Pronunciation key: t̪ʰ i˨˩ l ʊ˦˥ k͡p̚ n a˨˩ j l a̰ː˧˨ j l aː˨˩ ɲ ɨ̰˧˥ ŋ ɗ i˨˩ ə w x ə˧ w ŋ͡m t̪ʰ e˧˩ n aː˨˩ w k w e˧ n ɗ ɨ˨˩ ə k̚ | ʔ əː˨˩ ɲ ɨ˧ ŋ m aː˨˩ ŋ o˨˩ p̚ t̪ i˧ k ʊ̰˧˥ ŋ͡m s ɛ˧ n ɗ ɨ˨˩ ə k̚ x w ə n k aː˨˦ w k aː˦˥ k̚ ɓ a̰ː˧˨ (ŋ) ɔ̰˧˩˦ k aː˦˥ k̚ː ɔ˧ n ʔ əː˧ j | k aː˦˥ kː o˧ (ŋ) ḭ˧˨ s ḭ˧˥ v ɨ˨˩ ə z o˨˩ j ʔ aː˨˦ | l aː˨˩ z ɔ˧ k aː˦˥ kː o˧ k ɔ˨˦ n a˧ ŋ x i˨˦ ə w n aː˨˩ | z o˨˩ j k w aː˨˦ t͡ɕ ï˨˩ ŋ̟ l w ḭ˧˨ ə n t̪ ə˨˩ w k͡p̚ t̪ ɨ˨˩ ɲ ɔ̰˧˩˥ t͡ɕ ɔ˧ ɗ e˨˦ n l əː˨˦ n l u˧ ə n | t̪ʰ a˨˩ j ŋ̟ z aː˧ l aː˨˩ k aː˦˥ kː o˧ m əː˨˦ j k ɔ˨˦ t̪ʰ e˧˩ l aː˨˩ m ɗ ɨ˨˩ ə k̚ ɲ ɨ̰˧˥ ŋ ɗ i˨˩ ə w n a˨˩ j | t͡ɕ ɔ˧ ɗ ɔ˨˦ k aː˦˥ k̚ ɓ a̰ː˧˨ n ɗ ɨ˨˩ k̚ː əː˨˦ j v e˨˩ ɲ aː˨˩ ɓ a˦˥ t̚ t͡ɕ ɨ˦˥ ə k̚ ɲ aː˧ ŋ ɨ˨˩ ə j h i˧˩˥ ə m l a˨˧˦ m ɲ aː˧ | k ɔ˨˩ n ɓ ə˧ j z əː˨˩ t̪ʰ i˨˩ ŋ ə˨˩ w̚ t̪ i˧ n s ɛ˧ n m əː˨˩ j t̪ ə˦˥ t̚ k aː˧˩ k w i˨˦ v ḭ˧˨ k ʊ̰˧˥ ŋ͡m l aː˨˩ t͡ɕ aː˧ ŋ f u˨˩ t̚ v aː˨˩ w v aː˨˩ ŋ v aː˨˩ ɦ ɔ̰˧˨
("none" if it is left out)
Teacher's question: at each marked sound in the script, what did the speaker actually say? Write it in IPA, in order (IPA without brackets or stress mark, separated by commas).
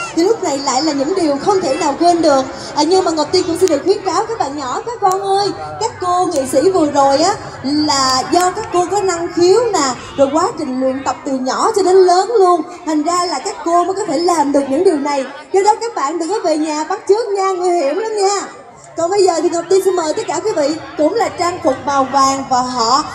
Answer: ɲ, ŋ